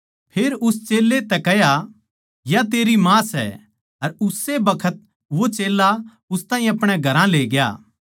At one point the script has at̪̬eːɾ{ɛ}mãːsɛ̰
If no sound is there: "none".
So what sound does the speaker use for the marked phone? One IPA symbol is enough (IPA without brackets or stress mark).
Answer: i